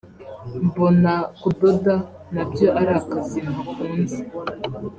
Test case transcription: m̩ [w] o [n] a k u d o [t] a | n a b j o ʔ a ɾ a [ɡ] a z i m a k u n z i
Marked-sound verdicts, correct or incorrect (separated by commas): incorrect, correct, incorrect, incorrect